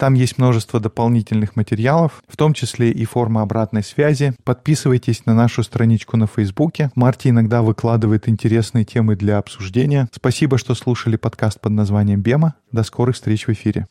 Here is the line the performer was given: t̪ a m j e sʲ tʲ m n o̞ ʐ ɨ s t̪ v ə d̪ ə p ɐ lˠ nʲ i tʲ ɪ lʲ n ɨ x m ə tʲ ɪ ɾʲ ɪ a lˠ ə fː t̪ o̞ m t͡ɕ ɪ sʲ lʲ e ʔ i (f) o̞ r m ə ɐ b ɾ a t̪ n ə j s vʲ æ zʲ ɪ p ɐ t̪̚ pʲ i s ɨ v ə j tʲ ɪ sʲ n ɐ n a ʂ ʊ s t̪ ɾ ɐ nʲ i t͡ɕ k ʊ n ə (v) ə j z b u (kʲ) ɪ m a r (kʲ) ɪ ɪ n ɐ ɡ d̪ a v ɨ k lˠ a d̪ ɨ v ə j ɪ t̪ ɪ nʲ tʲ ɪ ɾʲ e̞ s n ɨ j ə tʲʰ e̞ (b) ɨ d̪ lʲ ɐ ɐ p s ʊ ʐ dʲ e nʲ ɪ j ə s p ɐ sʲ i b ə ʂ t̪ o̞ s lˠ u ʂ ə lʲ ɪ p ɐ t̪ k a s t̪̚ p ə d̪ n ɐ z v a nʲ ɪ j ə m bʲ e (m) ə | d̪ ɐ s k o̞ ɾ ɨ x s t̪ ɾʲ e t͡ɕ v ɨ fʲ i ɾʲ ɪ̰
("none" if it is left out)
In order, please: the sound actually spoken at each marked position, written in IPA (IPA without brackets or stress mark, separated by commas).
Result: f, f, kʲ, tʲ, m, m